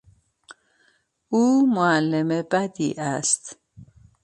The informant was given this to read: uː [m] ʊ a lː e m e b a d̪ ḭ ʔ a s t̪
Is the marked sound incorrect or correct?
correct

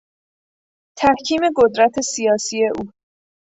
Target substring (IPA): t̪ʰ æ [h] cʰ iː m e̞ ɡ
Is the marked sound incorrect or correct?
correct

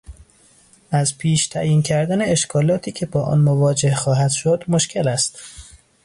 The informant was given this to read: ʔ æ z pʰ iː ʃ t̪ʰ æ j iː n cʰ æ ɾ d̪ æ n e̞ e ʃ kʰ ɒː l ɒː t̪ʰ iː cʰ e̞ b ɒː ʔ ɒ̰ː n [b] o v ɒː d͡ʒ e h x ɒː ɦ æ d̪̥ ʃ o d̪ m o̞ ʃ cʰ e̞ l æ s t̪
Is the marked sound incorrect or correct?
incorrect: m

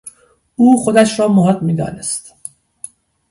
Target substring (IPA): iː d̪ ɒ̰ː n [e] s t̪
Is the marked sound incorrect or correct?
correct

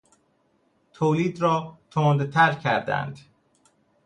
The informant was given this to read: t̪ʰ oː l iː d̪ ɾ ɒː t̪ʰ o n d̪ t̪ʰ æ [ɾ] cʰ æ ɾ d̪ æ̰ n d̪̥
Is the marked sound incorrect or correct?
correct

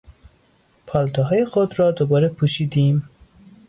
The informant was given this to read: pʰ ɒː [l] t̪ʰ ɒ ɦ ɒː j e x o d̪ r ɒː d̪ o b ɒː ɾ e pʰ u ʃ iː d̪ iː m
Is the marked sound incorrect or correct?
correct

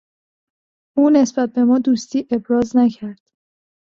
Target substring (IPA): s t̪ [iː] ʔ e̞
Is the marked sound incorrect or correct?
correct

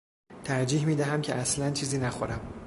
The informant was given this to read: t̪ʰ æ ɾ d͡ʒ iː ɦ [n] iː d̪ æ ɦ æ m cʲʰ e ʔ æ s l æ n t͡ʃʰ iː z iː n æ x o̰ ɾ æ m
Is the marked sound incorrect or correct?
incorrect: m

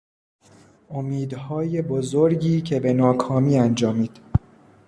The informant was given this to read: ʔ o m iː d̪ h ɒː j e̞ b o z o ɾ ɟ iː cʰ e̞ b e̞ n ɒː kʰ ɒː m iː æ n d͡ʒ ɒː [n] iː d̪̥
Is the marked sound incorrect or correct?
incorrect: m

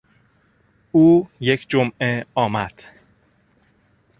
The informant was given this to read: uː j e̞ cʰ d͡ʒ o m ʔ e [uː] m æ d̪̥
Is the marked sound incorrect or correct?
incorrect: ɒː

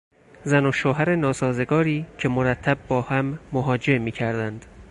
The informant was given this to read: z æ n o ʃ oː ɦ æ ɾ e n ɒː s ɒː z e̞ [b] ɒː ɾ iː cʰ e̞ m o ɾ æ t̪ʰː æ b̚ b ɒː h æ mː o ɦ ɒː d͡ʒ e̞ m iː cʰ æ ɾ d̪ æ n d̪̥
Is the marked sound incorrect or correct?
incorrect: ɡ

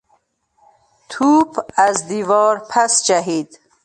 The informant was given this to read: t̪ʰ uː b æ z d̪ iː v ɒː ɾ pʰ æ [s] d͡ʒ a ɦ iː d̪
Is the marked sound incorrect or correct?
correct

